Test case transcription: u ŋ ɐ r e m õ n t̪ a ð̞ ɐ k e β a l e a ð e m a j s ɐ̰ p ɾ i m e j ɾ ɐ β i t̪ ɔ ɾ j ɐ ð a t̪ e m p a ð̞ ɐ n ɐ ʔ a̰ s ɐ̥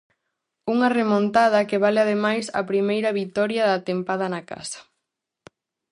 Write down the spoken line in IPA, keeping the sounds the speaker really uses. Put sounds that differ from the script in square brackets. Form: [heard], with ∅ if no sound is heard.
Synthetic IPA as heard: u ŋ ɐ r e m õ n t̪ a ð̞ ɐ k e β a l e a ð e m a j s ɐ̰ p ɾ i m e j ɾ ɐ β i t̪ ɔ ɾ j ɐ ð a t̪ e m p a ð̞ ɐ n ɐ [k] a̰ s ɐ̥